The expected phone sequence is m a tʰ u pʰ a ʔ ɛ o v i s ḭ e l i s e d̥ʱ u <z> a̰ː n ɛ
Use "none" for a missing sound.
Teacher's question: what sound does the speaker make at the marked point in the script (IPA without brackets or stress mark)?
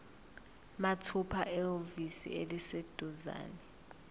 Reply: z